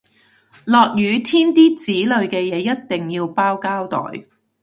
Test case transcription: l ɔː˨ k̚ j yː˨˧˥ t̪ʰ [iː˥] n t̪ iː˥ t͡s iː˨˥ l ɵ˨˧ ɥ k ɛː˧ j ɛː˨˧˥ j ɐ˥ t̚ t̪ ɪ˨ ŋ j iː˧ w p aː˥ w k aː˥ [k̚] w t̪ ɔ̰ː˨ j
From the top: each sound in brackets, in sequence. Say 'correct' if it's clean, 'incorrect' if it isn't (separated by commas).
correct, incorrect